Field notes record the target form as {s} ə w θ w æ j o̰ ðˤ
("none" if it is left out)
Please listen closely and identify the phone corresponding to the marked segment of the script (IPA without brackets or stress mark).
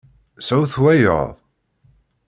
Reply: s